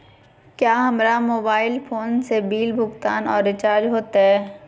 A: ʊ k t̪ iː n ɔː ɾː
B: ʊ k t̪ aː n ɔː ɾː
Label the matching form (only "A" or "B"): B